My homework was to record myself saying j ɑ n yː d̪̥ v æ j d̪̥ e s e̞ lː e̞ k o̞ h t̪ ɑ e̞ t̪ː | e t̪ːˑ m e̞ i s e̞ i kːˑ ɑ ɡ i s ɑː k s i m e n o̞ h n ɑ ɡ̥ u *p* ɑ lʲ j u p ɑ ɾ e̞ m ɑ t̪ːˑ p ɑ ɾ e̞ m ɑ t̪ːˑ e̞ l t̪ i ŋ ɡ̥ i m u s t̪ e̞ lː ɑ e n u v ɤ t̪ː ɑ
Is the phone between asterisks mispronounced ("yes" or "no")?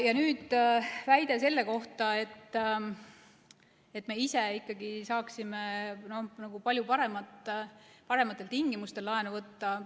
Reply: no